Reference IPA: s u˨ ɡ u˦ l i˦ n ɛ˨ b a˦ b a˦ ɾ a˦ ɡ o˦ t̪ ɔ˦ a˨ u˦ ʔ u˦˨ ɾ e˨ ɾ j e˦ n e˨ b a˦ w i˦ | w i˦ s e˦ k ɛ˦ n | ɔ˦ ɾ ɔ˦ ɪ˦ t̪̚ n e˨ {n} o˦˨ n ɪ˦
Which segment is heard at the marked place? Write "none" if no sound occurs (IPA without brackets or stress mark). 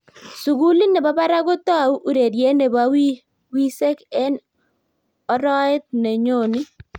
ɲ